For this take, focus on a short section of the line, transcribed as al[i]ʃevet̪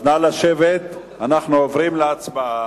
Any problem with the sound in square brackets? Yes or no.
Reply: yes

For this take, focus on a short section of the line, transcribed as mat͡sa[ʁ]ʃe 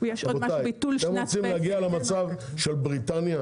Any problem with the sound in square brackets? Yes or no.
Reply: yes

